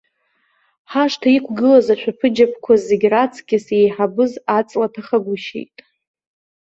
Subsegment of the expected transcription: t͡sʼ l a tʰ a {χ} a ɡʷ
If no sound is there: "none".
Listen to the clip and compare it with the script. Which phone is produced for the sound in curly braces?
χ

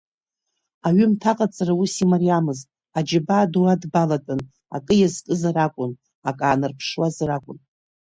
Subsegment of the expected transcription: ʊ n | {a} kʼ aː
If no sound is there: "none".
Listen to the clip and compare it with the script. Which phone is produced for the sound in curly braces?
a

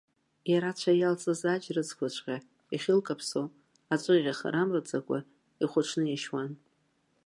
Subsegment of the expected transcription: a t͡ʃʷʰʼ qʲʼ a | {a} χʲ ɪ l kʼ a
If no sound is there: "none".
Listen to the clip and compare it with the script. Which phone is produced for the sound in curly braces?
i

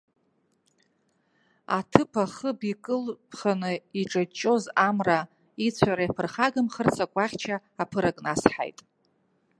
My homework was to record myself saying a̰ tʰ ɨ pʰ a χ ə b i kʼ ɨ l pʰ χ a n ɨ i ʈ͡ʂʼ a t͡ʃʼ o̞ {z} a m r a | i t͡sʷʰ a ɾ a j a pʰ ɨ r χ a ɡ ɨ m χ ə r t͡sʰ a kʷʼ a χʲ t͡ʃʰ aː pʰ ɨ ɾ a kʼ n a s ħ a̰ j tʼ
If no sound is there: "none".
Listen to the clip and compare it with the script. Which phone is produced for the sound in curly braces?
z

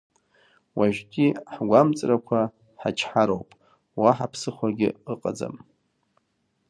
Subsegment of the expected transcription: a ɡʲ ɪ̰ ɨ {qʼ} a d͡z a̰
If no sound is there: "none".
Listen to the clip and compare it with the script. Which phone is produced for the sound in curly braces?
qʼ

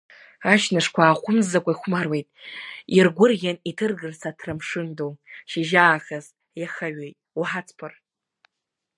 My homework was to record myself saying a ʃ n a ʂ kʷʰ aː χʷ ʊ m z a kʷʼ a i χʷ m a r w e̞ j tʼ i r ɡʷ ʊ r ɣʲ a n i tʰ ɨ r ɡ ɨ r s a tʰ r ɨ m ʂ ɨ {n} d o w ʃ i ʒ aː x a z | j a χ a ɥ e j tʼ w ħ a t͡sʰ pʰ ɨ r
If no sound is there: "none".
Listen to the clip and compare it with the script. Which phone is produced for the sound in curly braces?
n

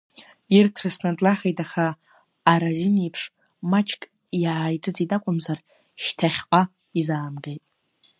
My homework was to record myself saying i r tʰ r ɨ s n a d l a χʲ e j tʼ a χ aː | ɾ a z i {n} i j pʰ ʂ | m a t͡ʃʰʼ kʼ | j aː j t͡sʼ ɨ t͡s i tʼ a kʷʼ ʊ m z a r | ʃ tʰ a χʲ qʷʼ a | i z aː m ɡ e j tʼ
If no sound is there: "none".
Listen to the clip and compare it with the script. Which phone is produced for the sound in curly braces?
n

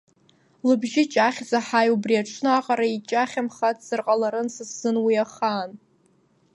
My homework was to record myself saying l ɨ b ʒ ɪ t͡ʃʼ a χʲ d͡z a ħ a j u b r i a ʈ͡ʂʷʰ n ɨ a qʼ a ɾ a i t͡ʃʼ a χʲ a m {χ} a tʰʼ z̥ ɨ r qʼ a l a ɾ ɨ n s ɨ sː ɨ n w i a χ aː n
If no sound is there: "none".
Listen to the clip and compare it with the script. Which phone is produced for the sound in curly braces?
χ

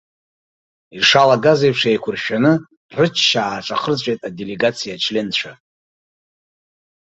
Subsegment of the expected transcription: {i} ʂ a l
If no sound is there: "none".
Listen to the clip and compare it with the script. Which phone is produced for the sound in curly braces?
i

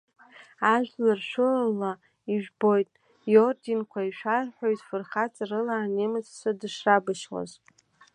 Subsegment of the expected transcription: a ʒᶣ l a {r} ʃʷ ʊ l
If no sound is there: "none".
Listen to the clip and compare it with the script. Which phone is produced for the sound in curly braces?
r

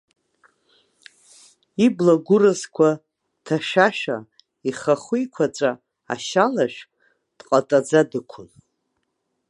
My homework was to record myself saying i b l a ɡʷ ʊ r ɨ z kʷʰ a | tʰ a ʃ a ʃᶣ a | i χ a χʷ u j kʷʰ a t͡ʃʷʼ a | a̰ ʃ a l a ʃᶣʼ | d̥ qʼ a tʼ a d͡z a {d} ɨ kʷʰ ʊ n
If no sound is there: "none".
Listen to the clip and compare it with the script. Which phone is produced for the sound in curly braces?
d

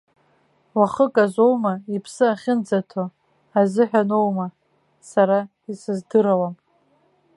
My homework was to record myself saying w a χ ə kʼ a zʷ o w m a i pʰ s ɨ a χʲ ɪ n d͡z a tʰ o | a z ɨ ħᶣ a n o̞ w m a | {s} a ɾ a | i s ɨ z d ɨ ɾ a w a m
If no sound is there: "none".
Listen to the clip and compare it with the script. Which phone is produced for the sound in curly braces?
s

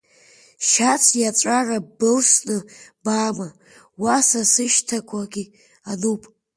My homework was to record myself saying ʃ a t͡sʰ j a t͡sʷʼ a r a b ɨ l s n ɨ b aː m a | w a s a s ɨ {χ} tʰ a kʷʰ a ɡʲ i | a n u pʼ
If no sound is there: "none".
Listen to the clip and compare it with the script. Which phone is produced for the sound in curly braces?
ʃ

